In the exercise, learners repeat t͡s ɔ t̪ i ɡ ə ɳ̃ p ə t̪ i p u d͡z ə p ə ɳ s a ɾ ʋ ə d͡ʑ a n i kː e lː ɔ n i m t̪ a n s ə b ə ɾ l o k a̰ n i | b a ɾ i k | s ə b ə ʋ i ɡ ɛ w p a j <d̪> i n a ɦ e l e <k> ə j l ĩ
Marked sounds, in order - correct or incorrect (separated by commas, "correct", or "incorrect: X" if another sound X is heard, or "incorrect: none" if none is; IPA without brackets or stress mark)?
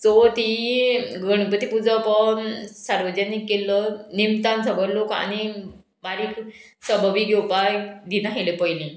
correct, incorrect: p